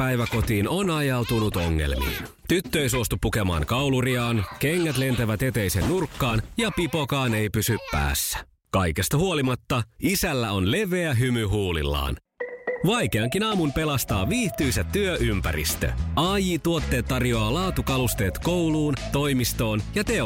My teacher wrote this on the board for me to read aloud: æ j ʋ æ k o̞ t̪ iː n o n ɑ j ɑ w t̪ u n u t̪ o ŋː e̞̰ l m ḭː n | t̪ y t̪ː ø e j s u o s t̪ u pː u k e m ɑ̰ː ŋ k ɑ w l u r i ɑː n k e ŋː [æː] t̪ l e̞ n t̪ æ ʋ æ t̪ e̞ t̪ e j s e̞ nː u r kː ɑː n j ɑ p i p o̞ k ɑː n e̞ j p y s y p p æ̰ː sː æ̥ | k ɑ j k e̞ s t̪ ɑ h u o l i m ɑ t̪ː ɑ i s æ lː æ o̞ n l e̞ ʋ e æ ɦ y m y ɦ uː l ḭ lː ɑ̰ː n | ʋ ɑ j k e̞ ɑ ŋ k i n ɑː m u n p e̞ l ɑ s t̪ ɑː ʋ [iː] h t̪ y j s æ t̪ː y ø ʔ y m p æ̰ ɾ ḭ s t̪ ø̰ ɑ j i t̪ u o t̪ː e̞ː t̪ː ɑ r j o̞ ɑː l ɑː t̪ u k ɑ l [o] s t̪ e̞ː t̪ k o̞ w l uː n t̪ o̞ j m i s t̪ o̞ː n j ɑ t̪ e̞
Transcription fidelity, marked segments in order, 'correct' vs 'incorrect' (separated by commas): incorrect, correct, incorrect